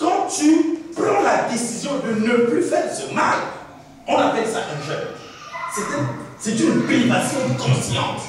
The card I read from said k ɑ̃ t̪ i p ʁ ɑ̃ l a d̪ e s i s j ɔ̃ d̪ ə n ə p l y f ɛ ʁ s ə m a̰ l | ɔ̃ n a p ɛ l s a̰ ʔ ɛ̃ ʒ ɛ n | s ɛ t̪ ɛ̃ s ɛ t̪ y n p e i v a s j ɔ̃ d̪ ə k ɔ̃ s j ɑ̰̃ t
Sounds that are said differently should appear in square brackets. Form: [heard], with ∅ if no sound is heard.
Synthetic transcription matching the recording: k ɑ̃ t̪ [y] p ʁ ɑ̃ l a d̪ e s i [z] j ɔ̃ d̪ ə n ə p l y f ɛ ʁ s ə m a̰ l | ɔ̃ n a p ɛ l s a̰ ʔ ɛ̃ ʒ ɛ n | s ɛ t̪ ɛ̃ s ɛ t̪ y n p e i v a s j ɔ̃ d̪ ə k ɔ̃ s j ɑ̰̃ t